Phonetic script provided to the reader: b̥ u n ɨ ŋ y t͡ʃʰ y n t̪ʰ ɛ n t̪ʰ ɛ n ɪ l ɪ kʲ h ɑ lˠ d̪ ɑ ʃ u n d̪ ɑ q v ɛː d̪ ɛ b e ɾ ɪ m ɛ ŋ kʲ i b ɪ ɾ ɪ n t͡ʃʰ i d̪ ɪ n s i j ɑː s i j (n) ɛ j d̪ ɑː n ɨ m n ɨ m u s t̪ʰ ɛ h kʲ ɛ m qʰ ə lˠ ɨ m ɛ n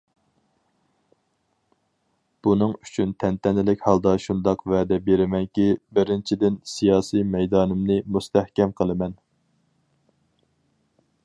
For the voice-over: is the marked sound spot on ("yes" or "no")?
no